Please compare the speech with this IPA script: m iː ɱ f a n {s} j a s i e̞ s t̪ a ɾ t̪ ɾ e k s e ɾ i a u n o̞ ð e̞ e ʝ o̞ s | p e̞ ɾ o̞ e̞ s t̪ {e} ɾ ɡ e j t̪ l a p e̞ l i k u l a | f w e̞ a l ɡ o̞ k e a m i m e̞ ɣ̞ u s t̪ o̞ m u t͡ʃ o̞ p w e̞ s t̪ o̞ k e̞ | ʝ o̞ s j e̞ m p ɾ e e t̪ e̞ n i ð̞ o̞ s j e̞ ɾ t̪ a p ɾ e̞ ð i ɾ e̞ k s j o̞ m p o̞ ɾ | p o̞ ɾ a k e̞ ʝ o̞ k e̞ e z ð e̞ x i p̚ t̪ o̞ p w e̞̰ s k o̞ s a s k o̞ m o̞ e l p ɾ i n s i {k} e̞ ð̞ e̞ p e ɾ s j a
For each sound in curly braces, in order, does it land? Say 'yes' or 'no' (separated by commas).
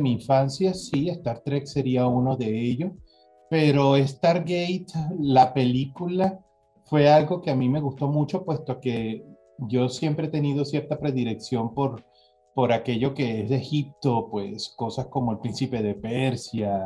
yes, no, no